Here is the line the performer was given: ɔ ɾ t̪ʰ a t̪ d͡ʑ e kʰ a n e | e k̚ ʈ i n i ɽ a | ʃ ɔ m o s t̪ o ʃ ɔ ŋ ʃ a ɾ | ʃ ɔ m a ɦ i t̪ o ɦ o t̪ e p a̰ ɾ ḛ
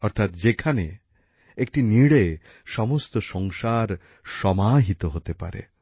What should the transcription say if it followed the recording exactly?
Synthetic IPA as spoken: ɔ ɾ t̪ʰ a t̪ d͡ʑ e kʰ a n e | e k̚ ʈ i n i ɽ e | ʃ ɔ m o s t̪ o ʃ ɔ ŋ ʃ a ɾ | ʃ ɔ m a ɦ i t̪ o ɦ o t̪ e p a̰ ɾ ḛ